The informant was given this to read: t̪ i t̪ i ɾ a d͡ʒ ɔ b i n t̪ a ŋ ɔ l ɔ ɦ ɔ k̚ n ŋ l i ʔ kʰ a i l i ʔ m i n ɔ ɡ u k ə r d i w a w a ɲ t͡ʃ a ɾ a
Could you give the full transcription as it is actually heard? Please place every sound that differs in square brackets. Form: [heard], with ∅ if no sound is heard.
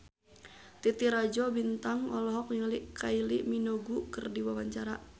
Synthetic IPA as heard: t̪ i t̪ i ɾ a d͡ʒ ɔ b i n t̪ a ŋ ɔ l ɔ ɦ ɔ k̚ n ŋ l i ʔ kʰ a i l i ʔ m i n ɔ ɡ u k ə r d i w a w a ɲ t͡ʃ a ɾ a